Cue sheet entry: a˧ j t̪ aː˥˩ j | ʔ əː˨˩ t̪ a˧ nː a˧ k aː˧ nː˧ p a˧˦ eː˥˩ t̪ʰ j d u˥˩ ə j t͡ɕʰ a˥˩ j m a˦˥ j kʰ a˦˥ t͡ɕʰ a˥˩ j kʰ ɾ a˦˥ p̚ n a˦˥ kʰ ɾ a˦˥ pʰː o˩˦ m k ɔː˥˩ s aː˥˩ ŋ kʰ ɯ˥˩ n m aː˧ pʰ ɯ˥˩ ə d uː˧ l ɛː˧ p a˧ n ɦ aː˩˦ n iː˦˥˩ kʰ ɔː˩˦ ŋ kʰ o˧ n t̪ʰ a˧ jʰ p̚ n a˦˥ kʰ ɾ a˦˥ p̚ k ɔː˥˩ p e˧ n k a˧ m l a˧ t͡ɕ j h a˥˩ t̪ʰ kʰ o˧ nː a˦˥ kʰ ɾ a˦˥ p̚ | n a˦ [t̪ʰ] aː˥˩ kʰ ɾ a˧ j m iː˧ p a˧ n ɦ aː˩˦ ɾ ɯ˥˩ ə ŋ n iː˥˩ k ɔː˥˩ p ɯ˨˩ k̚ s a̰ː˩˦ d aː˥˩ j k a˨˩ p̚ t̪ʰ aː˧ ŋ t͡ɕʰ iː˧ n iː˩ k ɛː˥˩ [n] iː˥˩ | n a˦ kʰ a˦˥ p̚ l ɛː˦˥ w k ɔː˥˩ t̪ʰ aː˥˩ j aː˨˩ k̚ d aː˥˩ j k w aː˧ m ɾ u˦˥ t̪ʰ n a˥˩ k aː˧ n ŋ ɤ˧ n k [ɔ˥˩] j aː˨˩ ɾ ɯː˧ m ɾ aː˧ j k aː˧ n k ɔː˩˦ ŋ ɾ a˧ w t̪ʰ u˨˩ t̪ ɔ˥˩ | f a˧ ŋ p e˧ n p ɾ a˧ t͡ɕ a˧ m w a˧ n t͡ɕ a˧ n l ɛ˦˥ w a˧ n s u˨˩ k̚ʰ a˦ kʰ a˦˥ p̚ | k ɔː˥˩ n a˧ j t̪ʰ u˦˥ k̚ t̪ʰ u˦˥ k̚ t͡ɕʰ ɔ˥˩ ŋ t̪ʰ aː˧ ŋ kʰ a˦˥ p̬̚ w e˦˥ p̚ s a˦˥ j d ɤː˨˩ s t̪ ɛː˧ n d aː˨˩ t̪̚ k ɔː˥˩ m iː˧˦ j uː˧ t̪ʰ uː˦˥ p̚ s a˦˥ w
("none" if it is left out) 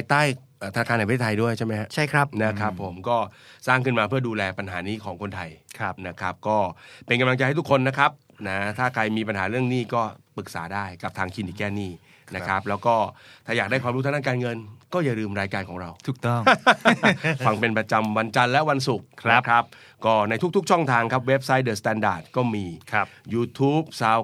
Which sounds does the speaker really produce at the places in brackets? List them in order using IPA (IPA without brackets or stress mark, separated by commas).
t̪ʰ, n, ɔː˥˩